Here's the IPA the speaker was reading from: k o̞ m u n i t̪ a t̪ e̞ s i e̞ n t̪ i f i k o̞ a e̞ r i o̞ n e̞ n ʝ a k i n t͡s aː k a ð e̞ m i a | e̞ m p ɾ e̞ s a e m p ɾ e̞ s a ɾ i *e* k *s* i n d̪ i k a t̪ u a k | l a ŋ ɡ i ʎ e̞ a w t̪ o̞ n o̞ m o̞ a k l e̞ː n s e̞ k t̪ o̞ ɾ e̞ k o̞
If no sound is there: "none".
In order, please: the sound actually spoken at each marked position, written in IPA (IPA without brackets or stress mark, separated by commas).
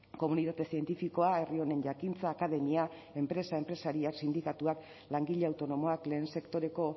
a, s